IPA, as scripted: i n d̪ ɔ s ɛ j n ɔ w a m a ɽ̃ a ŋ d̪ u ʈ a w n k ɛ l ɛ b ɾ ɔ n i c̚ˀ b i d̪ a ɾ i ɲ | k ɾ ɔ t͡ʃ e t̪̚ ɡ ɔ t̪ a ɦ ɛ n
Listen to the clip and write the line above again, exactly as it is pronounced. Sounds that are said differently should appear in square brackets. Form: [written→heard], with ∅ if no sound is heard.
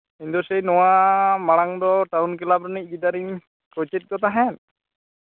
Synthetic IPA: i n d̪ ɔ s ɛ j n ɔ w a m a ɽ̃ a ŋ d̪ [u→ɔ] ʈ a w n k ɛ l [ɛ→a] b ɾ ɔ n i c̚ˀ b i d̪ a ɾ i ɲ | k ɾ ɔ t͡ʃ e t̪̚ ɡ ɔ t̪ a ɦ ɛ n